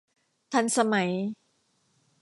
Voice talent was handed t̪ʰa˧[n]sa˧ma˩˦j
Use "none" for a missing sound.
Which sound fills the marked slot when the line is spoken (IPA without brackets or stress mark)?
n